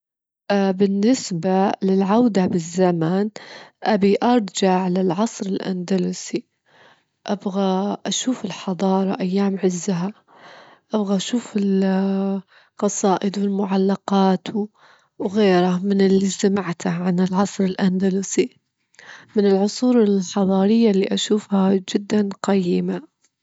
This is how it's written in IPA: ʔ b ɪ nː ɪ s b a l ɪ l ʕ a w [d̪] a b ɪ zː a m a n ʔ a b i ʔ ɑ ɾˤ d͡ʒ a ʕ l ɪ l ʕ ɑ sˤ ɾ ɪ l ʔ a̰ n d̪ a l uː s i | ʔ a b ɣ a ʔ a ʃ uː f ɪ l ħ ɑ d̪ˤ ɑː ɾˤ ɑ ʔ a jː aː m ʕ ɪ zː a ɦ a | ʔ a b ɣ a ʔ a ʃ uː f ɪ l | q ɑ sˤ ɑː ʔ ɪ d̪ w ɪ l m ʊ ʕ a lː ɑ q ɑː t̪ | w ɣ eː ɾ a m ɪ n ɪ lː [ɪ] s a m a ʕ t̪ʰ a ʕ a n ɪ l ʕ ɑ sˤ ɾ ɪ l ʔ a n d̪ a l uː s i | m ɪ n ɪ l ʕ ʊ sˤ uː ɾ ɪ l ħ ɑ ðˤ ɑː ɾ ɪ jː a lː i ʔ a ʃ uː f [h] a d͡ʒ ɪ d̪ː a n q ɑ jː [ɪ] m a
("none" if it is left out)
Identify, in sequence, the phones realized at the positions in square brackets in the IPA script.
d̪, i, h, ɪ

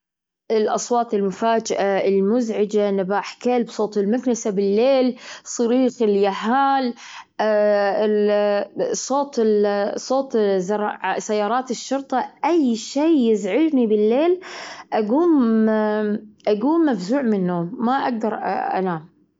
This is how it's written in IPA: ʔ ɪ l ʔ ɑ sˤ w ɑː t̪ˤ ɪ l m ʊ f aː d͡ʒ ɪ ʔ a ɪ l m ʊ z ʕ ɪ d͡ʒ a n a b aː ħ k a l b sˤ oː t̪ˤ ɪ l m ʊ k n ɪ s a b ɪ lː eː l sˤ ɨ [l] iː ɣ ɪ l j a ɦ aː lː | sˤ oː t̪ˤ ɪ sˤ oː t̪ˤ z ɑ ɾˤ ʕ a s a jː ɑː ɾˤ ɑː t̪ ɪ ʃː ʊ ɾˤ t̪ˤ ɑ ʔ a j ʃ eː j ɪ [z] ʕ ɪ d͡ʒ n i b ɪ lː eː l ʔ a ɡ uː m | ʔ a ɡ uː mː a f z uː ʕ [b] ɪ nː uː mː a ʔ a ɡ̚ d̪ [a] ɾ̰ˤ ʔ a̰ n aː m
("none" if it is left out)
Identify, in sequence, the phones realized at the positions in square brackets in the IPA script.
ɾ, z, m, ɑ

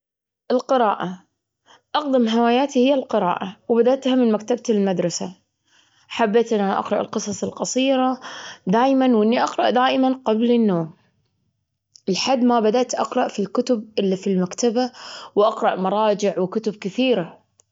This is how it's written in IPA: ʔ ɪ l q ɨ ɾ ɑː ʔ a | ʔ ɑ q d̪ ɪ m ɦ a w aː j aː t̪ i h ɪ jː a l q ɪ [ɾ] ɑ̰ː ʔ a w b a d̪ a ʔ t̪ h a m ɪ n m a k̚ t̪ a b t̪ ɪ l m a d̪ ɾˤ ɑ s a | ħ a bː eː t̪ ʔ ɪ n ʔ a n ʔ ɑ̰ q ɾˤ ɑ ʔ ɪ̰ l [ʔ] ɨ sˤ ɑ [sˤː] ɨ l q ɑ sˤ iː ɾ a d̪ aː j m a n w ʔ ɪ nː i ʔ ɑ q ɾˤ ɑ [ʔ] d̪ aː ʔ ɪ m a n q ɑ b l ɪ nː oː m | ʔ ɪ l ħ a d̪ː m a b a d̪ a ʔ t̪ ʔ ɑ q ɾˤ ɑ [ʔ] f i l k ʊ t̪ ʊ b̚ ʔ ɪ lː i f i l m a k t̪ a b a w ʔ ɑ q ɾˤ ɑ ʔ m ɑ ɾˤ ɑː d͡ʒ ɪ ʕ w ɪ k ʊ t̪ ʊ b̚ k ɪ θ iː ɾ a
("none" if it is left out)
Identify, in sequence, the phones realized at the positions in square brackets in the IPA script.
ɾ, q, sˤ, ʔ, ʔ

